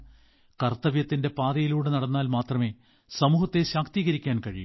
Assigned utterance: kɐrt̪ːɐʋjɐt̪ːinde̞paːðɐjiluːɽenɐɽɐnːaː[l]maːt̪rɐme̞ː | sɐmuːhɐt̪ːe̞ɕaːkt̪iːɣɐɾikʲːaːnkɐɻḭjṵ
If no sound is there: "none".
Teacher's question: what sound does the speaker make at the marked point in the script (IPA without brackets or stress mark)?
l